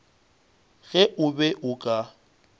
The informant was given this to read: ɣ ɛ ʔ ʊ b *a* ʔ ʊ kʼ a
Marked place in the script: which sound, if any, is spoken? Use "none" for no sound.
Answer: ɛ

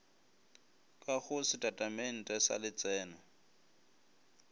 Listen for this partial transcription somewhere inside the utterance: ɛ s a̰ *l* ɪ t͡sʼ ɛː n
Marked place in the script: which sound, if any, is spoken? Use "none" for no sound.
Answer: l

